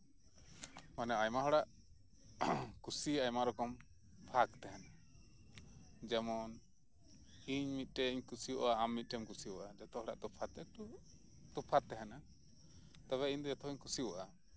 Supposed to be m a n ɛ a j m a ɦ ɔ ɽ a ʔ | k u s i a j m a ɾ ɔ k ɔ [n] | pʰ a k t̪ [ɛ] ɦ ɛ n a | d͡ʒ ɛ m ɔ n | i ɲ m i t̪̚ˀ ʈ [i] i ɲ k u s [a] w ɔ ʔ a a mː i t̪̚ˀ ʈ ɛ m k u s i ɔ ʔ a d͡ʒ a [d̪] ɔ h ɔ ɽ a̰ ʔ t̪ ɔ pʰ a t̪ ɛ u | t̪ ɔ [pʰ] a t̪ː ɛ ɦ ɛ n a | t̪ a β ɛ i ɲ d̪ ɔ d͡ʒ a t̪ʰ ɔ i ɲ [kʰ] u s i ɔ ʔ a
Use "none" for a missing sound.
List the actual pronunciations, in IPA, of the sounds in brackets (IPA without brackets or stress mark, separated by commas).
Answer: m, ɛ, ɛ, i, t̪, pʰ, k